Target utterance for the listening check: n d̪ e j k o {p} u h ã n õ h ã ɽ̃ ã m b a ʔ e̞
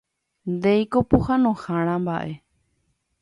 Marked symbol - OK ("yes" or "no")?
yes